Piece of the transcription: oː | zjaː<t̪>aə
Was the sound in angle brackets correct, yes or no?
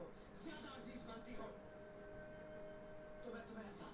no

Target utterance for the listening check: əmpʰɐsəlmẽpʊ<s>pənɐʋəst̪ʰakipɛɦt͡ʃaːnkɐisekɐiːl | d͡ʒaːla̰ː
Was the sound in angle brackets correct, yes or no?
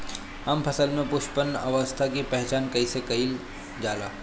no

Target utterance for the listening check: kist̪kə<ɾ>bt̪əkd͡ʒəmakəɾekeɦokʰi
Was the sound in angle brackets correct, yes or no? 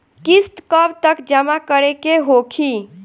no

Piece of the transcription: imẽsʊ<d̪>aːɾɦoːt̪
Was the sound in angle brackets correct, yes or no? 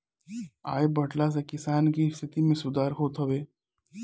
yes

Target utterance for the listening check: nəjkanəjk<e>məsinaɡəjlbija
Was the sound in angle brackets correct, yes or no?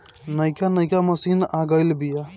no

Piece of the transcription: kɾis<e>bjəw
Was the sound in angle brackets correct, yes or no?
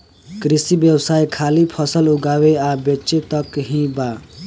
no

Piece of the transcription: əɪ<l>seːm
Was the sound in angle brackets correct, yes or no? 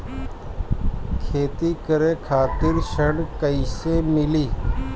no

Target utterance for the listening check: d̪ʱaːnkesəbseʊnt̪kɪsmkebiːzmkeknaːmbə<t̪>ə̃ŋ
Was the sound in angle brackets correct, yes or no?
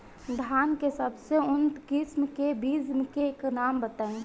yes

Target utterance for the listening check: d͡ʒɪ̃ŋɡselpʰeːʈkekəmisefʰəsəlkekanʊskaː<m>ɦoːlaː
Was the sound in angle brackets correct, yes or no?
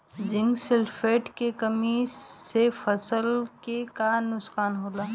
no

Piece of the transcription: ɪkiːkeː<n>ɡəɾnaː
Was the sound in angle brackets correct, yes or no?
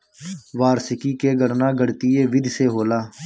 no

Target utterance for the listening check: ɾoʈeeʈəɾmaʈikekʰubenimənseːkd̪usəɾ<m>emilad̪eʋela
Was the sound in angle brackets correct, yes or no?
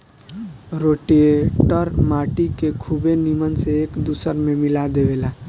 yes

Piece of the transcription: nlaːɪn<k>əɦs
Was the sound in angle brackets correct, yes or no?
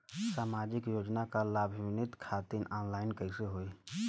yes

